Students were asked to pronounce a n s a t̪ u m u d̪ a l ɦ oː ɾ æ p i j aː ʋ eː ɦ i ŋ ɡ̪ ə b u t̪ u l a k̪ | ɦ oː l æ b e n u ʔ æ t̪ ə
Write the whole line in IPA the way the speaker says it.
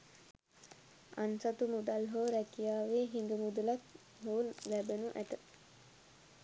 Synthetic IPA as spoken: a n s a t̪ u m u d̪ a l ɦ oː ɾ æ k i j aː ʋ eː ɦ i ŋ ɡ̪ ə m u d̪ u l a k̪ | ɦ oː l æ b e n u ʔ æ t̪ ə